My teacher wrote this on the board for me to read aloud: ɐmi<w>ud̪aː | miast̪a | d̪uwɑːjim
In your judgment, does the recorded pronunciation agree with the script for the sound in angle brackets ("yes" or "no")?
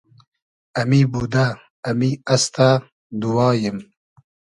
no